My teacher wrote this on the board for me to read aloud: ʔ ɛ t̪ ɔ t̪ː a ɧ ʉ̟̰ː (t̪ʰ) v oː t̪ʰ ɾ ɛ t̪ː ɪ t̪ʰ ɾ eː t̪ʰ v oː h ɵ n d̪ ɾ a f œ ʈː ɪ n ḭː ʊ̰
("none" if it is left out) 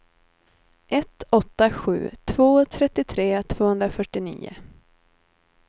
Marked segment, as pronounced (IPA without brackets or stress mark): t̪ʰ